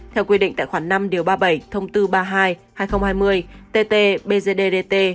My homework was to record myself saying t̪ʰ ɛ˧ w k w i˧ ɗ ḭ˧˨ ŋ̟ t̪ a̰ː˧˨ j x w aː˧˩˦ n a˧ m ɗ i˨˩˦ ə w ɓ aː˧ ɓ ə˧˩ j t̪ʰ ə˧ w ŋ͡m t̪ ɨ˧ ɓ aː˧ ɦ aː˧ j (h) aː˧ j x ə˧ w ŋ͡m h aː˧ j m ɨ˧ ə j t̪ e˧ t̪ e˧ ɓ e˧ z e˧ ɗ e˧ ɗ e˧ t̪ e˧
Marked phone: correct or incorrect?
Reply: correct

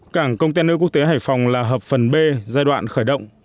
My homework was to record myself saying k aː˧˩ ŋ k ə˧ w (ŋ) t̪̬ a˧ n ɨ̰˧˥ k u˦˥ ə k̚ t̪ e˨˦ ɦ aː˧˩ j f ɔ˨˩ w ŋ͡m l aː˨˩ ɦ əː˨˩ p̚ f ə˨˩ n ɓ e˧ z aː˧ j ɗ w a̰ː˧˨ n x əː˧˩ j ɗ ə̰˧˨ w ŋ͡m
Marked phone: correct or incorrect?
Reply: incorrect: ŋ͡m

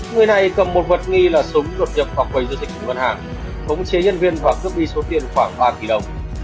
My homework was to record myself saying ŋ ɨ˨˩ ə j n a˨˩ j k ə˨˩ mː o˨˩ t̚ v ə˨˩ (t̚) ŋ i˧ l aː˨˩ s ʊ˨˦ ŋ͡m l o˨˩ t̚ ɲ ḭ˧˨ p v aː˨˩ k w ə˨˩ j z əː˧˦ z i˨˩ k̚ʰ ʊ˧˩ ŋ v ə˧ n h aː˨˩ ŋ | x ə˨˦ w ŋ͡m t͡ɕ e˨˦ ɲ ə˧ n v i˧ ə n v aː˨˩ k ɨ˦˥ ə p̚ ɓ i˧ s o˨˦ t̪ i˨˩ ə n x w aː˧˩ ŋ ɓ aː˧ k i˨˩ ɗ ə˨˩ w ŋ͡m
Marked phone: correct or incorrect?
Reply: correct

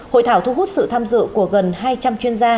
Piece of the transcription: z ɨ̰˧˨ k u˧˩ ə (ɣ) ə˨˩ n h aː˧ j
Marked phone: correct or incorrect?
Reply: correct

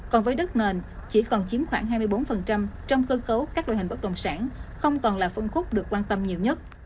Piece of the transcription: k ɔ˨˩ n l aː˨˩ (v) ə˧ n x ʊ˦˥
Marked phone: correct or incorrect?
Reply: incorrect: f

